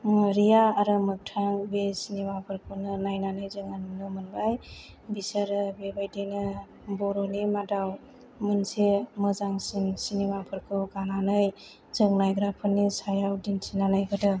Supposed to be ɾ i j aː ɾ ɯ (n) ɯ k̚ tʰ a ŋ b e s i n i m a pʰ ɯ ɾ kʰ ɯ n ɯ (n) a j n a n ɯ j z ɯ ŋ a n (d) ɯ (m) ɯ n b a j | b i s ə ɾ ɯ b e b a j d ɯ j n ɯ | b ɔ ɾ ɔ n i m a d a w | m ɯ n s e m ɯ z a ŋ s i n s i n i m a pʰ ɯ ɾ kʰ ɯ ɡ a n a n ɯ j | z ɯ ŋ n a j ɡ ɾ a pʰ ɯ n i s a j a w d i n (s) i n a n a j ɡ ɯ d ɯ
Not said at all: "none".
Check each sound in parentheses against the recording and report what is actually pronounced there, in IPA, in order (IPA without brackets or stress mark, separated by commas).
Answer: m, n, n, m, s